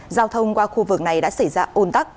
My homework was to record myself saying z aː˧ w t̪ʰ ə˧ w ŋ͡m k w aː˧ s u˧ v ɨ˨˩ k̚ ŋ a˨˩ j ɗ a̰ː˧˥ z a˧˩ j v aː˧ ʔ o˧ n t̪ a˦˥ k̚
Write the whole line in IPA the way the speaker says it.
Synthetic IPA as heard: z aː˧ w t̪ʰ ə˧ w ŋ͡m k w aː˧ x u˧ v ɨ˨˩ k̚ n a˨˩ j ɗ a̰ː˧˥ s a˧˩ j z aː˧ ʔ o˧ n t̪ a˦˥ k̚